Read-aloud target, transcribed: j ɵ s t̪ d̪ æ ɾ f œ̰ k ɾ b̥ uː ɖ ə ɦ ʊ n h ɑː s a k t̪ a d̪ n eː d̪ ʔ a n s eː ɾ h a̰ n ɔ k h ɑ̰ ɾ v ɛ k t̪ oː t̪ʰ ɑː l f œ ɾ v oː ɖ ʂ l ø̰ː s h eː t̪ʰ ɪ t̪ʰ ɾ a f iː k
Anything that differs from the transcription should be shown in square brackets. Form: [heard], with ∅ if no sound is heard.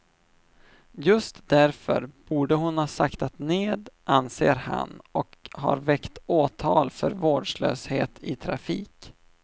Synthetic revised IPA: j ɵ s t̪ d̪ æ ɾ f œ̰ [∅] ɾ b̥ uː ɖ ə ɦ ʊ n h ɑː s a k t̪ a [t̪] n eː d̪ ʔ a n s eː ɾ h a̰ n ɔ k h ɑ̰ ɾ v ɛ k t̪ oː t̪ʰ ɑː l f œ ɾ v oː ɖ ʂ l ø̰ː s h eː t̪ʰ ɪ t̪ʰ ɾ a f iː k